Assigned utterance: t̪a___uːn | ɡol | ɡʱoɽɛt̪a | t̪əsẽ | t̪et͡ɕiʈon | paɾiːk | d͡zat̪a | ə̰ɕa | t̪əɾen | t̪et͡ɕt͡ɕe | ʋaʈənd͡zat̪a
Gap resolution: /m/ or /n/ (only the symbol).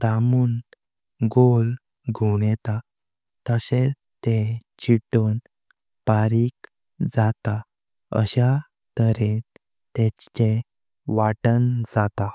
m